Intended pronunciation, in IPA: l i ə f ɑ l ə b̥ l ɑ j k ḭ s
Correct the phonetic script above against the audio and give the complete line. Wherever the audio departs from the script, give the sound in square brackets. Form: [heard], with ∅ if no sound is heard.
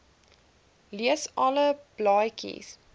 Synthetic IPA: l i ə [s] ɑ l ə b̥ l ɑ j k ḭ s

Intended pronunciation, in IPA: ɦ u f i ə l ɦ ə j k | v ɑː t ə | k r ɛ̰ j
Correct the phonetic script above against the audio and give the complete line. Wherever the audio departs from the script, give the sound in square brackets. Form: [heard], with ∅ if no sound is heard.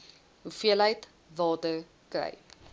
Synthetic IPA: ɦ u f i ə l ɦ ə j [t] | v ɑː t ə | k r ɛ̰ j

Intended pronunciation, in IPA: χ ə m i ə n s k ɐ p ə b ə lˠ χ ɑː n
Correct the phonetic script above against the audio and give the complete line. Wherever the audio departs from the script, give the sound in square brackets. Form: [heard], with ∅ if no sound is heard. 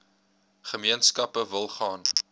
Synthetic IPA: χ ə m i ə n s k ɐ p ə [v] ə lˠ χ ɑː n

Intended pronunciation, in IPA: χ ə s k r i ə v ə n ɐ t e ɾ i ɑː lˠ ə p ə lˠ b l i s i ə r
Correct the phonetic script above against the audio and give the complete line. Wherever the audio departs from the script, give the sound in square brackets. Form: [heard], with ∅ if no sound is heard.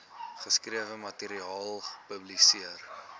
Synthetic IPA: χ ə s k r i ə v ə [m] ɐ t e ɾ i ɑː lˠ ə p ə [∅] b l i s i ə r

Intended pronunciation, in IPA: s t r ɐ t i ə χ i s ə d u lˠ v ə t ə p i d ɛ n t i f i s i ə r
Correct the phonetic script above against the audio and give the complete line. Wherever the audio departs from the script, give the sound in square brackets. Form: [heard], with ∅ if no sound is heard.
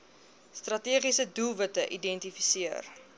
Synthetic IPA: s t r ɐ t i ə χ i s ə d u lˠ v ə t ə [ʔ] i d ɛ n t i f i s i ə r

